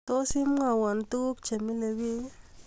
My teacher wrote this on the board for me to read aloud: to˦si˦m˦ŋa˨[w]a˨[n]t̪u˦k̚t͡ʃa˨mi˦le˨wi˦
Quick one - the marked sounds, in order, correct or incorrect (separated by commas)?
correct, correct